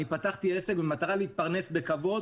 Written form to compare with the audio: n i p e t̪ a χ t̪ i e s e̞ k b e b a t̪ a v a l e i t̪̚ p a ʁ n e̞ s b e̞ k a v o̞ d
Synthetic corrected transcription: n i p a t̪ a χ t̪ i e s e̞ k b e m a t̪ a ʁ a l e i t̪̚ p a ʁ n e̞ s b e̞ k a v o̞ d